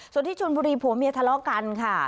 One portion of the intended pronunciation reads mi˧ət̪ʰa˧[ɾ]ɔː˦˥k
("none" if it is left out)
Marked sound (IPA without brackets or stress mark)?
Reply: l